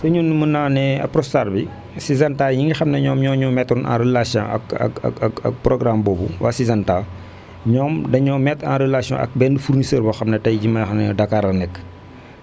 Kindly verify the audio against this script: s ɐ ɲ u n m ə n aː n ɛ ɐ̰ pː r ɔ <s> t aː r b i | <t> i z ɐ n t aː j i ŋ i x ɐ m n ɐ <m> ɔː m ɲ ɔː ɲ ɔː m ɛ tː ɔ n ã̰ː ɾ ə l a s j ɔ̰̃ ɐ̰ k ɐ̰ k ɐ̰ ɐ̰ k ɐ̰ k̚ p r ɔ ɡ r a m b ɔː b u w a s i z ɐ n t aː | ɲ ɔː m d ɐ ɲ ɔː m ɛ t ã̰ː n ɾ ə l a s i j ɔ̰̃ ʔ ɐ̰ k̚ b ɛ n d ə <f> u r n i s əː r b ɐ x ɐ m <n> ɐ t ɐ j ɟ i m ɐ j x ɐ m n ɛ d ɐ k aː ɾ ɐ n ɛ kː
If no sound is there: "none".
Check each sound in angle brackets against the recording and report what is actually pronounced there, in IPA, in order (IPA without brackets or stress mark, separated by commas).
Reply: s, s, ɲ, f, n